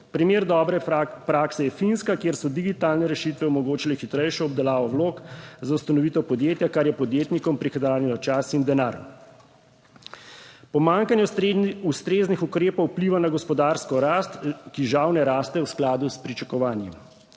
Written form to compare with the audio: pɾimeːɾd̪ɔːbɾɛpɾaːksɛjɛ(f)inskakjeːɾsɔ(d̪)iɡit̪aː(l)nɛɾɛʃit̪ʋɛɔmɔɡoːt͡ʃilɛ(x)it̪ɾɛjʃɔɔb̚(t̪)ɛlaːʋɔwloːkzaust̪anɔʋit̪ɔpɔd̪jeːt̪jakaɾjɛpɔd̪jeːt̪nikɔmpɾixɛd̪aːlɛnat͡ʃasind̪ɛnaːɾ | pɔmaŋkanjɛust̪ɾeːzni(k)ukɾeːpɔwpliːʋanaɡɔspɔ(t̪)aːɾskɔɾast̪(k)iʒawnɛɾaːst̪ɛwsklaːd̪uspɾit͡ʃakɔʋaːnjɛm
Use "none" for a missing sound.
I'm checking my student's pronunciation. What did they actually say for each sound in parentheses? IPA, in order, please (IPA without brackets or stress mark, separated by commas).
f, d̪, l, x, d̪, x, d̪, k